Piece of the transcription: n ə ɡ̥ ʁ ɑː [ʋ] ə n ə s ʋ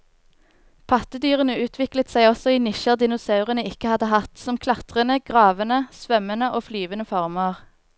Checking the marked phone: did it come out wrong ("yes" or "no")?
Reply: no